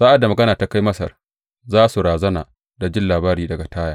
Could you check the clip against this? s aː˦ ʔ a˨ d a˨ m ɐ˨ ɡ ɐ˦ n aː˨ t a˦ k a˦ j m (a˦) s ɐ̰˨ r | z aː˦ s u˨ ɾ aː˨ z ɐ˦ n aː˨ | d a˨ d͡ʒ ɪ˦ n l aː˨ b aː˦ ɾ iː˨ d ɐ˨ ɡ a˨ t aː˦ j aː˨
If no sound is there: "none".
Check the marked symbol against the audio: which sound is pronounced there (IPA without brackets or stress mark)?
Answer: ɐ˦